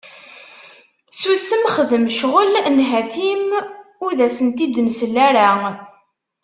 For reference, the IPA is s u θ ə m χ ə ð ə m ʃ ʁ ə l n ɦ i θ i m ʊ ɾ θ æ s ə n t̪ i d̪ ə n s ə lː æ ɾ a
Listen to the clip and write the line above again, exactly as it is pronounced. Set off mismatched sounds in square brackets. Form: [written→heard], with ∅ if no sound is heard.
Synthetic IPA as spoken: s u [θ→s] ə m χ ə ð ə m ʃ ʁ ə l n ɦ [i→æ] θ i m ʊ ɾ [θ→ð] æ s ə n t̪ i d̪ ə n s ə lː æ ɾ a